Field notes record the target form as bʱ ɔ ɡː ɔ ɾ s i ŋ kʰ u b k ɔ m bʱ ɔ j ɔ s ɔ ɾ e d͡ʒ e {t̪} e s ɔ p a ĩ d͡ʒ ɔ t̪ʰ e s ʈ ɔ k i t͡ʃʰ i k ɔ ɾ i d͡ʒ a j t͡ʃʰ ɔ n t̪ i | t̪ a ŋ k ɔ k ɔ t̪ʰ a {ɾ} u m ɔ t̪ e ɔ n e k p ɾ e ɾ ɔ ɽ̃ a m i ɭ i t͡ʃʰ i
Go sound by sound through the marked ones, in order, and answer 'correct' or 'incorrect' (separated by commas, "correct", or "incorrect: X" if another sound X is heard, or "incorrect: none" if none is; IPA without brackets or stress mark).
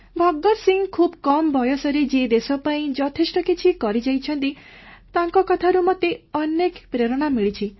incorrect: d̪, correct